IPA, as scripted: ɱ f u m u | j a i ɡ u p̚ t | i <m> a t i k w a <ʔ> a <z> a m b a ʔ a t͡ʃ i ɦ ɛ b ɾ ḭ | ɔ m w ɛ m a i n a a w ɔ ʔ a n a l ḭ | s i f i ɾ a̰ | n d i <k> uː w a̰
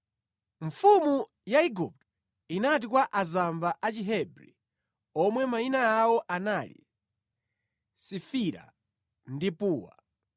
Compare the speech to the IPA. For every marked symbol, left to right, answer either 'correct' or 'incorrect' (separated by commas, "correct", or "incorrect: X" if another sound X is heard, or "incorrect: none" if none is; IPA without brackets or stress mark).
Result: incorrect: n, correct, correct, incorrect: p